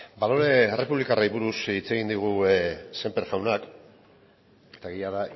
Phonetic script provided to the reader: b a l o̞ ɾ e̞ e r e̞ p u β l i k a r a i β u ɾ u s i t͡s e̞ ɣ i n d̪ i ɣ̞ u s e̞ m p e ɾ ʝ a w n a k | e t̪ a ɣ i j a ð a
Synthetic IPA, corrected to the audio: b a l o̞ ɾ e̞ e r e̞ p u β l i k a r a i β u ɾ u s i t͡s e̞ ɣ i n d̪ i ɣ̞ u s e̞ m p e ɾ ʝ a w n a k | e t̪ a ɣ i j a ð a